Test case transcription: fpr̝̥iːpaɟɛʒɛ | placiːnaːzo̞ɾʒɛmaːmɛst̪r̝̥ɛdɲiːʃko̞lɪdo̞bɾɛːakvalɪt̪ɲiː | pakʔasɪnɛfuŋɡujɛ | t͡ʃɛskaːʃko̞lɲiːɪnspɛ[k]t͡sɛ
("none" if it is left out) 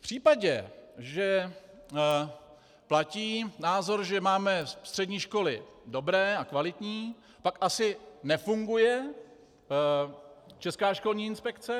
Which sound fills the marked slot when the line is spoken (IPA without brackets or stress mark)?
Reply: k